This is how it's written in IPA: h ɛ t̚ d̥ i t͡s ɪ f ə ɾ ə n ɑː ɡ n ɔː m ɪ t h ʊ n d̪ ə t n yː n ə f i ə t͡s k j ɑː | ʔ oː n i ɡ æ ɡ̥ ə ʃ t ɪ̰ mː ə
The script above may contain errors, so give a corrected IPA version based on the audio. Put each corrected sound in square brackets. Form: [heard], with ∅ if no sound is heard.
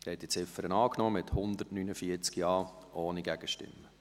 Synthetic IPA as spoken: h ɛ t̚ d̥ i t͡s ɪ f ə ɾ ə n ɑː [k] n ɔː m ɪ t h ʊ n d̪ ə t n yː n ə f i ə t͡s k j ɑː | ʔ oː n i ɡ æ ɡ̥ ə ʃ t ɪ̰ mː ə